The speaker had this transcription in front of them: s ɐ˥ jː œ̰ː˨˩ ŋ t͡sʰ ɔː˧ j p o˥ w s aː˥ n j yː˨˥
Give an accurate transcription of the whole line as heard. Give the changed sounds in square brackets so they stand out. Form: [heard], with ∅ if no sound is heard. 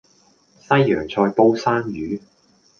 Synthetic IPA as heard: s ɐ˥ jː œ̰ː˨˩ ŋ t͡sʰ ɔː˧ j p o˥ w s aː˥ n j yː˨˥